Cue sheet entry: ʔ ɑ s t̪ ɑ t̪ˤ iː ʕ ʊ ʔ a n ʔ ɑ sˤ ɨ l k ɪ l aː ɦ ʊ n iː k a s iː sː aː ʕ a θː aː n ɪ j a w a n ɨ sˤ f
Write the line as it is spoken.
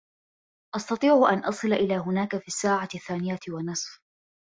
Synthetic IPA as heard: ʔ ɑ s t̪ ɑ t̪ˤ iː ʕ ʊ ʔ a n ʔ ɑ sˤ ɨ l ʔ ɪ l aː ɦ ʊ n aː k a f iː sː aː ʕ a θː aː n ɪ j a w a n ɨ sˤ f